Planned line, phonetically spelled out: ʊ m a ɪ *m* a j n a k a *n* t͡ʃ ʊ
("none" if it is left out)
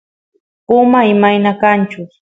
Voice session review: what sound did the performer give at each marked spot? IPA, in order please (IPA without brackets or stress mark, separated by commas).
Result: m, n